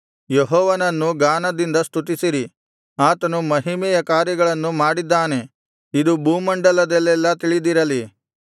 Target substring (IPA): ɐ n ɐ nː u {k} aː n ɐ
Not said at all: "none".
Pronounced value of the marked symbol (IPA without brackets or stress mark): ɡ